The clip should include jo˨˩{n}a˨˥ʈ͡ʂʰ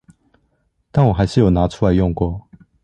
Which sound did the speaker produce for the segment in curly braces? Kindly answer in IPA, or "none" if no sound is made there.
n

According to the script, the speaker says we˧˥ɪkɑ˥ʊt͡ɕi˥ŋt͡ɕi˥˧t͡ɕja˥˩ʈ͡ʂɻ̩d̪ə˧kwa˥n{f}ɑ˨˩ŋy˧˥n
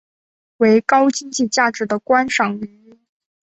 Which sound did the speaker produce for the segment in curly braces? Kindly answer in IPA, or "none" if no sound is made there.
ʂ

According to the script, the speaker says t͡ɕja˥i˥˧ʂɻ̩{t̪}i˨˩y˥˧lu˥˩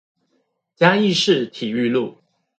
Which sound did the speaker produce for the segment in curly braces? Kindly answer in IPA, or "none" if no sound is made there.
t̪ʰ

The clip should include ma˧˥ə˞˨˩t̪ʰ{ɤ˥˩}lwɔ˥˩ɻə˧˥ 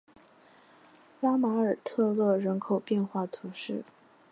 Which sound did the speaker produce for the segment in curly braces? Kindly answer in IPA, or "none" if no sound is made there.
ɤ˥˧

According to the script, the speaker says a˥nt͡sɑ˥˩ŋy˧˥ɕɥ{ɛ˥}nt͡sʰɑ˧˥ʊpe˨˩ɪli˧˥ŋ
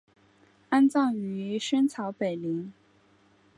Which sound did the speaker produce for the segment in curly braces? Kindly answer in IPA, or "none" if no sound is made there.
ɛ˥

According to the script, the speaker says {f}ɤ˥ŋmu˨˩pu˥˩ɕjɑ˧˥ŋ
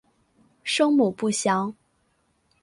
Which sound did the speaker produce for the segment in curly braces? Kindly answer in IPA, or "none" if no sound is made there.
ʂ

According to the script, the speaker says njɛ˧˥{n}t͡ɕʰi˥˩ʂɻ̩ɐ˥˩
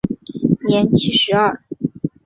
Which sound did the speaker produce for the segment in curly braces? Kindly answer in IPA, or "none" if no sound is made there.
n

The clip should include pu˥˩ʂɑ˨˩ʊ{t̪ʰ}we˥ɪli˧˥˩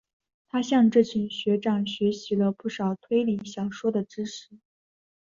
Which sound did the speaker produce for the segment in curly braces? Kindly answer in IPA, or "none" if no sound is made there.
t̪ʰ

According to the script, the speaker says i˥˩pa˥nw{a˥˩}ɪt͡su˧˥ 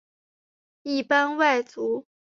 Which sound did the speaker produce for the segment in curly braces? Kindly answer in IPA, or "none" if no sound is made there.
a˥˩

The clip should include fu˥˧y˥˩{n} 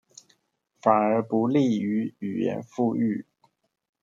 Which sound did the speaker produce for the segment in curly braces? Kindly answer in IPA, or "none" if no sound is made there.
none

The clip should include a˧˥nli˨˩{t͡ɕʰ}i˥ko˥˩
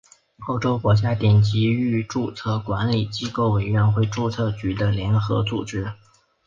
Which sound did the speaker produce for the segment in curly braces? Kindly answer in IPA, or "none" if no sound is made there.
t͡ɕ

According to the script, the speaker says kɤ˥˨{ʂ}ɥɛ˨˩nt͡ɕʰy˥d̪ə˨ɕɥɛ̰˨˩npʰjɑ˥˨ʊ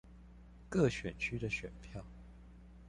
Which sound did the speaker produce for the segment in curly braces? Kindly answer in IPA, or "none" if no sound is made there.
ɕ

